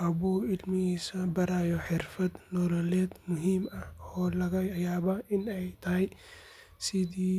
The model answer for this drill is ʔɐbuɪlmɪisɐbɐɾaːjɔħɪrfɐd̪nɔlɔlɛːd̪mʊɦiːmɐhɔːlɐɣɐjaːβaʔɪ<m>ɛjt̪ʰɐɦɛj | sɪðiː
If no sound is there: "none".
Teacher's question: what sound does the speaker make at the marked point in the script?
n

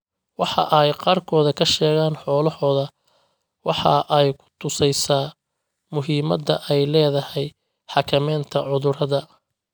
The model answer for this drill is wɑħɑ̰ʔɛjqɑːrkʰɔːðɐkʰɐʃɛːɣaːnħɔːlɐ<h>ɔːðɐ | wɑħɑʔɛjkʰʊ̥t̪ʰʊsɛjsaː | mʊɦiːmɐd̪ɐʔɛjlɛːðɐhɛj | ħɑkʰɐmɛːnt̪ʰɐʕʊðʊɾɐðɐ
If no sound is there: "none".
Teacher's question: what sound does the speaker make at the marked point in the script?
h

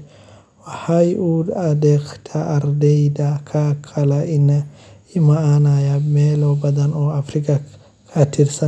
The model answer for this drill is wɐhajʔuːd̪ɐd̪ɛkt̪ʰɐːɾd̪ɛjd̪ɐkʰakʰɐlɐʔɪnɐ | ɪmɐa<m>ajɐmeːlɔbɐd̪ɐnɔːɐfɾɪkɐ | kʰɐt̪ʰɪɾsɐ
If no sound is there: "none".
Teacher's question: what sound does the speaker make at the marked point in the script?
n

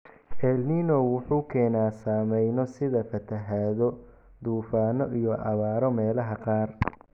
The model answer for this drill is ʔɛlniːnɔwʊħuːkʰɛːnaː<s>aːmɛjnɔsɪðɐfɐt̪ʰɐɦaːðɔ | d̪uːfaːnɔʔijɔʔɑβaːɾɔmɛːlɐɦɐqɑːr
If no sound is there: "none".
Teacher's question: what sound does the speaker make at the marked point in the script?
s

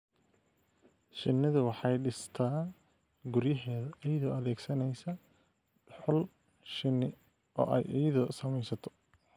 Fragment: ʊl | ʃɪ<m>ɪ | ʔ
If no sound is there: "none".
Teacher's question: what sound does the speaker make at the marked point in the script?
n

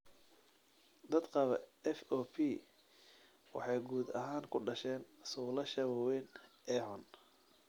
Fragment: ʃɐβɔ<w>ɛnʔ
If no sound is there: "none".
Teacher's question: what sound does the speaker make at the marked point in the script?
w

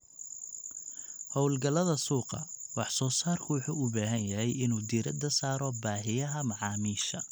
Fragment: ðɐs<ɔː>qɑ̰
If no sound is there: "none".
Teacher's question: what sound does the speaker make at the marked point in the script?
uː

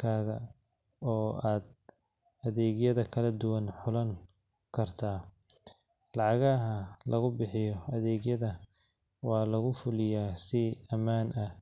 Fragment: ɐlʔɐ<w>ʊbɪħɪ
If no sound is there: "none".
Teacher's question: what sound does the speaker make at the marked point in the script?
ɣ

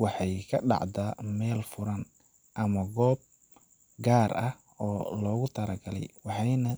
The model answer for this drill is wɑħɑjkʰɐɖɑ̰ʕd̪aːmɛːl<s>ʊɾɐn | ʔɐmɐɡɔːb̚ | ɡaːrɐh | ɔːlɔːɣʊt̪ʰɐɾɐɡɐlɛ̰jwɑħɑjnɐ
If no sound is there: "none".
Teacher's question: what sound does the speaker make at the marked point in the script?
f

